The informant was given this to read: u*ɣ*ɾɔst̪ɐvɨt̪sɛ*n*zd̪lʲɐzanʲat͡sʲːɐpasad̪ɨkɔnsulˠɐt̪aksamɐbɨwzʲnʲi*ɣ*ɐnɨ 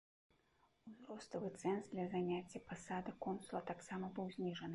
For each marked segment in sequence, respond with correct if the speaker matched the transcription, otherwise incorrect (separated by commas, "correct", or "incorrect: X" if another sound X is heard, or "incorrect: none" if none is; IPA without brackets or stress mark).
incorrect: z, correct, incorrect: ʐ